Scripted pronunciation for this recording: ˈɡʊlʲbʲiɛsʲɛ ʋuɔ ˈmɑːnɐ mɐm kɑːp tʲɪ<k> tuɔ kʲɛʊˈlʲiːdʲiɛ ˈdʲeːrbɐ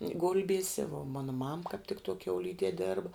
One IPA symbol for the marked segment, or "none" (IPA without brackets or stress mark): k